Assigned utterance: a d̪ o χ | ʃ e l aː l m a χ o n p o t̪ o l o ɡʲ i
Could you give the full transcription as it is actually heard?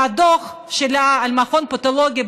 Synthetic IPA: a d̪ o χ | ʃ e l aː l m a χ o n p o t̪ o l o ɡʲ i